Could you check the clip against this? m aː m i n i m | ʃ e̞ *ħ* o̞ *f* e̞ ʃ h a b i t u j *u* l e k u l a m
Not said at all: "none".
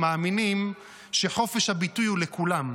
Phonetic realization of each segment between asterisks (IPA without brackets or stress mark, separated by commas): ħ, f, u